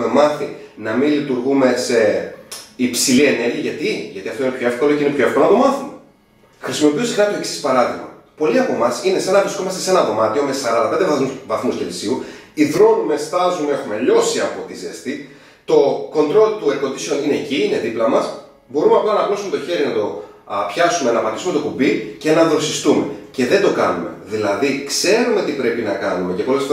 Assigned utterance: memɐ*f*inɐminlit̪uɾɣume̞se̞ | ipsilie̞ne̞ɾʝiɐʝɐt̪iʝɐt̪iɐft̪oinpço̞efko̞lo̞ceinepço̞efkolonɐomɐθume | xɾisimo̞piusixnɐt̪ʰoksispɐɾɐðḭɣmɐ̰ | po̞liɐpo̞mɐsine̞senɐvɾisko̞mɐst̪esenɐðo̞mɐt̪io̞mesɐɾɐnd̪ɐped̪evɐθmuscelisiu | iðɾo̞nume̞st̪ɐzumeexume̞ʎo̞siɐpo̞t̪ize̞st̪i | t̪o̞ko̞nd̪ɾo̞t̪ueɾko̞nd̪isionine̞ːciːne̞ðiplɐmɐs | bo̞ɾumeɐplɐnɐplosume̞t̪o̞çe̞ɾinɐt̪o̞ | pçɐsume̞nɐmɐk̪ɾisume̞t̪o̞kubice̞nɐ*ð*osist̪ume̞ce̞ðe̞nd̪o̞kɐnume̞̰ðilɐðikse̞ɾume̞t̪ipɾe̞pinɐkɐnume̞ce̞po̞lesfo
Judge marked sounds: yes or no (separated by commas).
no, yes